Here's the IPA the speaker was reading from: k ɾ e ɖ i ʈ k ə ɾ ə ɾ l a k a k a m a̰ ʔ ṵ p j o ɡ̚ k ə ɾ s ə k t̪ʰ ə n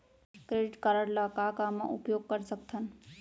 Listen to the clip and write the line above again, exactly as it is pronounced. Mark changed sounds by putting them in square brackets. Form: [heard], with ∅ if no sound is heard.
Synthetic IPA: k ɾ e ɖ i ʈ k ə ɾ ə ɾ l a k a k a m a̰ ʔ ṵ p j o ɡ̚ k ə ɾ s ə k t̪ʰ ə n